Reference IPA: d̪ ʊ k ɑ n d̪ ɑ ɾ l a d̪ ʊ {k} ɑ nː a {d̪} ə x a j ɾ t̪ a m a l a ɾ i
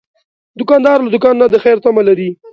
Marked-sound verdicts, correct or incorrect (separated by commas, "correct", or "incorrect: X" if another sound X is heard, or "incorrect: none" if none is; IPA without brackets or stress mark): correct, correct